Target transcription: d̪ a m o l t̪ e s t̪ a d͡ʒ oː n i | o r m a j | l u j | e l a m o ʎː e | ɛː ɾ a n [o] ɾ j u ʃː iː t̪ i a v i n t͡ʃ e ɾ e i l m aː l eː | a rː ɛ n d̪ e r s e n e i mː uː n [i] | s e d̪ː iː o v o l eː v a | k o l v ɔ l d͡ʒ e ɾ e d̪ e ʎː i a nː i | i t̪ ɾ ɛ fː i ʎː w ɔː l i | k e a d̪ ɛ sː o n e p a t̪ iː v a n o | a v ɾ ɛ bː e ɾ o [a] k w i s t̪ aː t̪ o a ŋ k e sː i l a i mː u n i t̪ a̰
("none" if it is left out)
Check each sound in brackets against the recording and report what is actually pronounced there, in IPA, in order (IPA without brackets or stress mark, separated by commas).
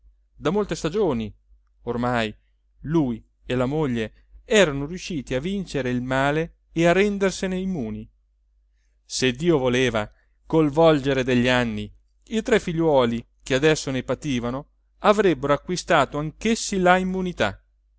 o, i, a